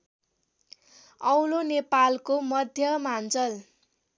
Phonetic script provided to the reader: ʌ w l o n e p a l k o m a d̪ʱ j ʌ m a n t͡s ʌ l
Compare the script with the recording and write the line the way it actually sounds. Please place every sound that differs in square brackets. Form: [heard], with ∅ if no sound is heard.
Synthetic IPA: ʌ w l o n e p a l k o m [ʌ] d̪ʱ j ʌ m a n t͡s ʌ l